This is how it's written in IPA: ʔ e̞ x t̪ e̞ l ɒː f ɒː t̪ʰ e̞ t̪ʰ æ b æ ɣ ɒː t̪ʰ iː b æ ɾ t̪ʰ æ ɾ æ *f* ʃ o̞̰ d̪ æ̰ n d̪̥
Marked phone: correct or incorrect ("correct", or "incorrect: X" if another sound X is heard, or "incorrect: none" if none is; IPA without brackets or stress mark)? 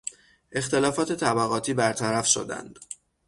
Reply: correct